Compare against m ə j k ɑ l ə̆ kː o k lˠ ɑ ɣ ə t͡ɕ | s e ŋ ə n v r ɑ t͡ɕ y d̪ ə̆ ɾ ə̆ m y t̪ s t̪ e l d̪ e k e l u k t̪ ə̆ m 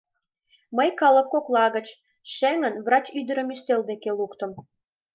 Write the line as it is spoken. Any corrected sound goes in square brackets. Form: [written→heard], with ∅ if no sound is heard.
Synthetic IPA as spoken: m ə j k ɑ l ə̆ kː o k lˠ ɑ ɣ ə t͡ɕ | [s→ʃ] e ŋ ə n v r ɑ t͡ɕ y d̪ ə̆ ɾ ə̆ m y [t̪→∅] s t̪ e l d̪ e k e l u k t̪ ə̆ m